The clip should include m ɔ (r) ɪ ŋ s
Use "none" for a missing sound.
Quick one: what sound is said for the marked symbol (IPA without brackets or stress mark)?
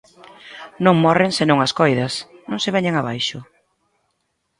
r